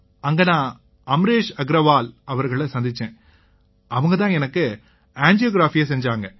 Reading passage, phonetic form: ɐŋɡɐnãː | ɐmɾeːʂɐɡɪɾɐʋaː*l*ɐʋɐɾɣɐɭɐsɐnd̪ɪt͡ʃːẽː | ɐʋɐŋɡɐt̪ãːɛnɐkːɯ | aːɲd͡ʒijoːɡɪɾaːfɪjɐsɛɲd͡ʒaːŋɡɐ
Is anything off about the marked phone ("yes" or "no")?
no